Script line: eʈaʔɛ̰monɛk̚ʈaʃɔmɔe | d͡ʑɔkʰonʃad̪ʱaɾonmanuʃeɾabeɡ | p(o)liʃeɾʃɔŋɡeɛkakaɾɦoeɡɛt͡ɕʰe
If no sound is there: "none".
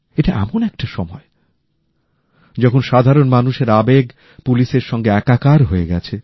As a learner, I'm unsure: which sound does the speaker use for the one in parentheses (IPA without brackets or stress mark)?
u